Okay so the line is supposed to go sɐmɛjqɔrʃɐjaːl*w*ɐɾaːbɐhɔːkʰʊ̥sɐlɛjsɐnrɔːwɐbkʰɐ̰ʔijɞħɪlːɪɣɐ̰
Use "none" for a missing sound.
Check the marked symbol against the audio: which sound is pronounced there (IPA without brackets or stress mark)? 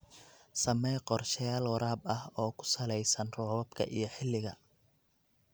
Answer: w